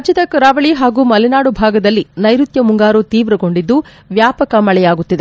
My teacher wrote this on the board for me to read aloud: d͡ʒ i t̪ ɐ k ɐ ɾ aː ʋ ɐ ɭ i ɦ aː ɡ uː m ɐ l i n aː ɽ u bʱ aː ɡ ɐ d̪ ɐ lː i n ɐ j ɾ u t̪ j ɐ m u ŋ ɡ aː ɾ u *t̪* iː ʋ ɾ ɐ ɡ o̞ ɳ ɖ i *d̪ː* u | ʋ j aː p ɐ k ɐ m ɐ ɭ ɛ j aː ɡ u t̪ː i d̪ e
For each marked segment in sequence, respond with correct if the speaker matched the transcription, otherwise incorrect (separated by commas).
correct, correct